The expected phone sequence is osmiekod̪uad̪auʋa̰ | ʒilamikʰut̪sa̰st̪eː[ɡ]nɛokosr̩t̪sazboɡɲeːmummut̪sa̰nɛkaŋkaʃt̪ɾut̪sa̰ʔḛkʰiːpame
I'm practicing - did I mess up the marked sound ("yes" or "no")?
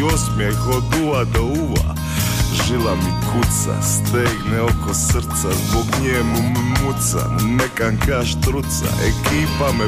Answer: no